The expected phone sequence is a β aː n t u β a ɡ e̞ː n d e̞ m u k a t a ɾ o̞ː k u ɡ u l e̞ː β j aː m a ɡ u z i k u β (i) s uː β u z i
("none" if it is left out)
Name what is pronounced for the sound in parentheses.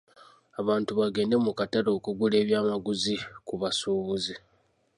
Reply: a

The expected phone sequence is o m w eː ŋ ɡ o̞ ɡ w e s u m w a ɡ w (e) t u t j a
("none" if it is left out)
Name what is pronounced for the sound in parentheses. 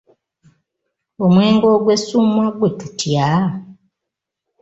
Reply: e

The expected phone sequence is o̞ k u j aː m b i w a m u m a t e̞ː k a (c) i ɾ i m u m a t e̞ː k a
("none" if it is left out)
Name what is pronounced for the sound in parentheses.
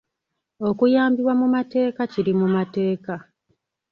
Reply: c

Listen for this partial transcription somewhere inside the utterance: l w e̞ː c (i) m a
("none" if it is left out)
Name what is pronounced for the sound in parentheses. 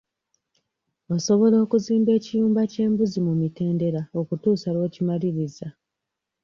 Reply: i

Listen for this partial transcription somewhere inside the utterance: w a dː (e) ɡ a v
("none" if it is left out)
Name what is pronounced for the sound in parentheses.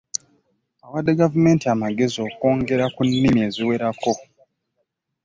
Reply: e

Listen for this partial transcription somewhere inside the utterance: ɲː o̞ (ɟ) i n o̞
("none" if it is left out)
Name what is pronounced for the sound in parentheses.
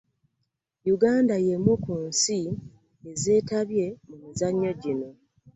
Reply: ɟ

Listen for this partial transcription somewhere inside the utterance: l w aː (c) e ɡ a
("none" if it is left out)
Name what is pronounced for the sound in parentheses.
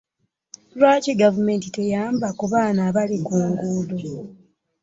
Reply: c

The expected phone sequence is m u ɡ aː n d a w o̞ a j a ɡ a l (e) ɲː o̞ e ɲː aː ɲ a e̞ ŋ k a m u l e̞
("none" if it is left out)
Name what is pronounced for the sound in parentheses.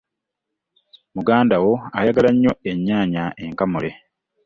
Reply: a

